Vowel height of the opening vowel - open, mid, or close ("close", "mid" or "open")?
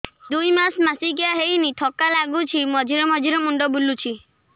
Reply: close